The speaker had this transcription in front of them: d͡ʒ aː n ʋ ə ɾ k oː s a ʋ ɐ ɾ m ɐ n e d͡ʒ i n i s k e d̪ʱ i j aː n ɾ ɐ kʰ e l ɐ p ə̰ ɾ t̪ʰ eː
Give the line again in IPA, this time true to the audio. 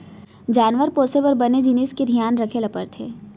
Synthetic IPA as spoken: d͡ʒ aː n ʋ ə ɾ p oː s e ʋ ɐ ɾ b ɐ n e d͡ʒ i n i s k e d̪ʱ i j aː n ɾ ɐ kʰ e l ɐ p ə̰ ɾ t̪ʰ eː